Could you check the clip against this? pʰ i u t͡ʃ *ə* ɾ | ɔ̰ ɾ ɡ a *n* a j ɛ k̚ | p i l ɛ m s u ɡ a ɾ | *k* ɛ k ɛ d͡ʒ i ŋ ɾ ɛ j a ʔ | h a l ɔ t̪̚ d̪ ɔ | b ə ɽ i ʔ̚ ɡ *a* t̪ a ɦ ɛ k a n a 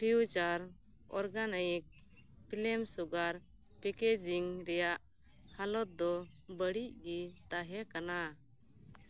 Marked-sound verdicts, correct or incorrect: incorrect, correct, incorrect, incorrect

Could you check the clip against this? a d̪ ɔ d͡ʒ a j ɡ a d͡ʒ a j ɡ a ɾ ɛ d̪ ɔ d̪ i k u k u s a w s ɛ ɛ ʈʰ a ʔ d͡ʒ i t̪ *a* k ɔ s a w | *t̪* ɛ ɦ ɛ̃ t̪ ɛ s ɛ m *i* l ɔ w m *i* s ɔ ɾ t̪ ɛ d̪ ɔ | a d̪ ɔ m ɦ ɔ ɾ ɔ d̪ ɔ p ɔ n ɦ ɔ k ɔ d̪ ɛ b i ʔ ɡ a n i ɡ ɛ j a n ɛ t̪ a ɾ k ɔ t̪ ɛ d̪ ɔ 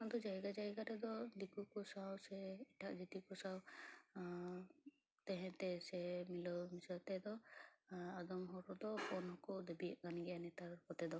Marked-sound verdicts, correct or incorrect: incorrect, correct, correct, correct

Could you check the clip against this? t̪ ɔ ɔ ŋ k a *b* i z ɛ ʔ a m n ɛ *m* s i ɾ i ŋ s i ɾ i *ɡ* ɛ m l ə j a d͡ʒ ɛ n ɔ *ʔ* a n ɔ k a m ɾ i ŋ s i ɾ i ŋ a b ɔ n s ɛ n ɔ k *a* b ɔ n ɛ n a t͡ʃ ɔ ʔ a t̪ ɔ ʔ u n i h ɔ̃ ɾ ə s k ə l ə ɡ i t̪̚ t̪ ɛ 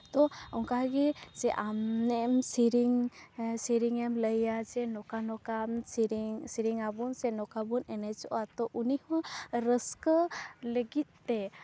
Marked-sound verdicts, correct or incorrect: incorrect, correct, incorrect, incorrect, correct

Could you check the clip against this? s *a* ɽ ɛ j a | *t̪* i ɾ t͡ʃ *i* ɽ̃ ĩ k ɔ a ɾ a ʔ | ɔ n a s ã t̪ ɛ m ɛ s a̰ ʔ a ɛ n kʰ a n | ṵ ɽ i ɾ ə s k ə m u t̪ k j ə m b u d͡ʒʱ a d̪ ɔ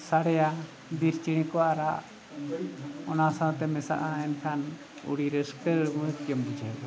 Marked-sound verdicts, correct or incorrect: correct, incorrect, correct

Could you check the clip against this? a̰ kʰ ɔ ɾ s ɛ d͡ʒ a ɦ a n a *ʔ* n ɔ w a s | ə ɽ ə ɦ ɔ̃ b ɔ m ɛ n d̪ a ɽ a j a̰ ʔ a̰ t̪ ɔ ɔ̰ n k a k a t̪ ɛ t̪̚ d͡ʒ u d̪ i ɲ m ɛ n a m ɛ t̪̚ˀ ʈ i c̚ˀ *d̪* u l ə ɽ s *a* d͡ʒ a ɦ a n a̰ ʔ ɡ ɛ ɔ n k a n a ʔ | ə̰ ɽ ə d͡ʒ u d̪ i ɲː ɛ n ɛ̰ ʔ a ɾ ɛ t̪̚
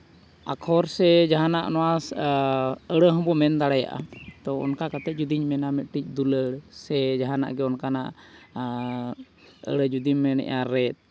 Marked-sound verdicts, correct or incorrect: correct, correct, incorrect

